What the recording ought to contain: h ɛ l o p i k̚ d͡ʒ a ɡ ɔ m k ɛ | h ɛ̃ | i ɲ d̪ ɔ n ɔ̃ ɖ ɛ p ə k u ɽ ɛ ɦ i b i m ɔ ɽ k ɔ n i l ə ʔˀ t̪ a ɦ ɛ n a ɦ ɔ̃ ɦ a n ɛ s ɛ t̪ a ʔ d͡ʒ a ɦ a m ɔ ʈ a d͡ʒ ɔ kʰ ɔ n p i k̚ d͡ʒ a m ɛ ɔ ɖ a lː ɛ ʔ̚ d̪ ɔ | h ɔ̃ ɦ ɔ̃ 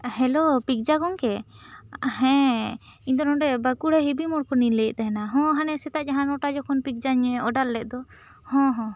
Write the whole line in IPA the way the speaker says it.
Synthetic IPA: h ɛ l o p i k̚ d͡ʒ a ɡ ɔ ŋ k ɛ | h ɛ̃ | i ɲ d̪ ɔ n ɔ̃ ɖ ɛ b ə k u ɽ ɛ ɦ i b i m ɔ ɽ k ɔ n i l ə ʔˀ t̪ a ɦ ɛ n a ɦ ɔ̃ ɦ a n ɛ s ɛ t̪ a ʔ d͡ʒ a ɦ a n ɔ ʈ a d͡ʒ ɔ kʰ ɔ n p i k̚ d͡ʒ a ɲ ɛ ɔ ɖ a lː ɛ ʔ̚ d̪ ɔ | h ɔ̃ ɦ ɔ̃